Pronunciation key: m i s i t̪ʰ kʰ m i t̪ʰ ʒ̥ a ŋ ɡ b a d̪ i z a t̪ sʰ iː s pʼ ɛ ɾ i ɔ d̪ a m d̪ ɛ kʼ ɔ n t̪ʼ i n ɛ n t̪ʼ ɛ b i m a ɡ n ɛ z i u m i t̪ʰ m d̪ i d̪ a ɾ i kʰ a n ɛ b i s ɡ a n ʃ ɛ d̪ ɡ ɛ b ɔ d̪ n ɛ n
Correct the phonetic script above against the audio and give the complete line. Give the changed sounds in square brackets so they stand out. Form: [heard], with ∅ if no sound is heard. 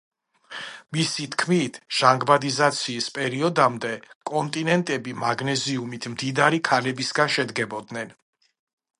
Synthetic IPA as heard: m i s i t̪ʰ kʰ m i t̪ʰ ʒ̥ a ŋ ɡ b a d̪ i z a t̪ sʰ iː s pʼ ɛ ɾ i ɔ d̪ a m d̪ ɛ kʼ ɔ n t̪ʼ i n ɛ n t̪ʼ ɛ b i m a ɡ n ɛ z i u m i t̪ʰ m d̪ i d̪ a ɾ i kʰ a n ɛ b i s ɡ a n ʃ ɛ d̪ ɡ ɛ b ɔ d̪ n ɛ n